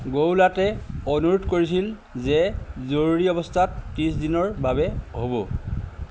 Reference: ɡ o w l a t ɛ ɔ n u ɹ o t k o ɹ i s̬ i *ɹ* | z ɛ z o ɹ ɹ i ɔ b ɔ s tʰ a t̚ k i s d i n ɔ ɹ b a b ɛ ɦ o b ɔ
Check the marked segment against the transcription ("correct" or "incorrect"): incorrect